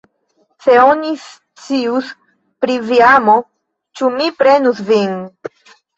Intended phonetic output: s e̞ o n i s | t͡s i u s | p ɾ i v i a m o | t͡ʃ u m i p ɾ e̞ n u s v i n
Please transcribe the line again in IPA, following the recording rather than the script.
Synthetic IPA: s e̞ o n i s | t͡s i u s | p ɾ i v i a m o | t͡ʃ u m i p ɾ e̞ n u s v i n